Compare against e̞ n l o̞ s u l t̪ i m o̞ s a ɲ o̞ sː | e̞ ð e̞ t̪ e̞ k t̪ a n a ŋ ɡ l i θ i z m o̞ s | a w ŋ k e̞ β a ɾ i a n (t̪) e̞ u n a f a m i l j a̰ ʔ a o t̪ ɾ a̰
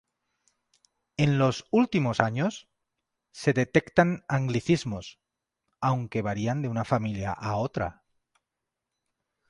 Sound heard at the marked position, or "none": d̪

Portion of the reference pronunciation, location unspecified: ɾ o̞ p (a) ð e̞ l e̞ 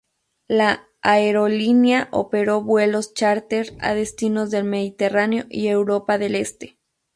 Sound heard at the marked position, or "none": a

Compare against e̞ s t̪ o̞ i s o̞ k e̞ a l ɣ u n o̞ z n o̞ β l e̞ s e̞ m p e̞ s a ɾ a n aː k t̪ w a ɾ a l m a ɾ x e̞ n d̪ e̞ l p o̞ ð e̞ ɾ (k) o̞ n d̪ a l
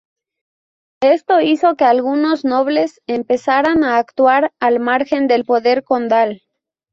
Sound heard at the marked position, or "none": k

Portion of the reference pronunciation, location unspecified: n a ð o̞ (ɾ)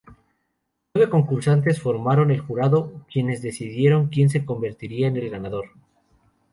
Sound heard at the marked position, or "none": ɾ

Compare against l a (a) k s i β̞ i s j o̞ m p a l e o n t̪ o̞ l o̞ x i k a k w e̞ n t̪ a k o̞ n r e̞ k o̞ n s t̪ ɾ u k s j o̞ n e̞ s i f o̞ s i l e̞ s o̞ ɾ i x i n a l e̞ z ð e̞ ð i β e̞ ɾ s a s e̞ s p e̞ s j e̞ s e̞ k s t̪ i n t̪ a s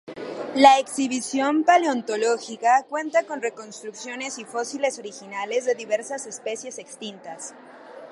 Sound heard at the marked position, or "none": e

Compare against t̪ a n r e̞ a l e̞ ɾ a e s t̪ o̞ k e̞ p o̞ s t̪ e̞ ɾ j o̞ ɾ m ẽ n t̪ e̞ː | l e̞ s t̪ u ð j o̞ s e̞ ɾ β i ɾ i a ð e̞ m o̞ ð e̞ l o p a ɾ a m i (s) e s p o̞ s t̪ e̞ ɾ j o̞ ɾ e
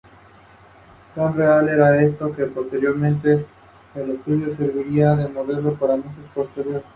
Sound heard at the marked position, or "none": s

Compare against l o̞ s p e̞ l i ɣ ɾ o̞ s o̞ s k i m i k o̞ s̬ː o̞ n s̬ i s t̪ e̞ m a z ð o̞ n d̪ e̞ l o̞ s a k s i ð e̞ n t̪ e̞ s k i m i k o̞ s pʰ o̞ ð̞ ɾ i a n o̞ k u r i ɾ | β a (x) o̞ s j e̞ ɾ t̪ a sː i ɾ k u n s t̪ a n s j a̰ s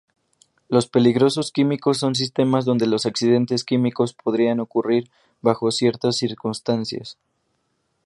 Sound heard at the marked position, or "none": x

